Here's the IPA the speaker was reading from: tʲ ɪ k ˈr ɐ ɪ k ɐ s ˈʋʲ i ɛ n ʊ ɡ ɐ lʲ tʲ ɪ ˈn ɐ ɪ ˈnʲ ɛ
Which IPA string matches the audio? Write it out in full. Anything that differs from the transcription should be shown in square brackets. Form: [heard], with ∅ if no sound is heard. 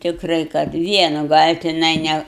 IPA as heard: tʲ ɪ k ˈr ɐ ɪ k ɐ [t] ˈʋʲ i ɛ n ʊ ɡ ɐ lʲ tʲ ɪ ˈn ɐ ɪ ˈnʲ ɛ